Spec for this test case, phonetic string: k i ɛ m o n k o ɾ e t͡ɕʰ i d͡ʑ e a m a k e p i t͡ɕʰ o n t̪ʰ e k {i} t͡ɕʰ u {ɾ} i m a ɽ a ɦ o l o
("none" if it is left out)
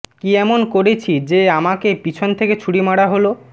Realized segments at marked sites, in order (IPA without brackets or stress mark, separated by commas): e, ɽ